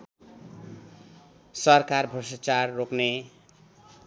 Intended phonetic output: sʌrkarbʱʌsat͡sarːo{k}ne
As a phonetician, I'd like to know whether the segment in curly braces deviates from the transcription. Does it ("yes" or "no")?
no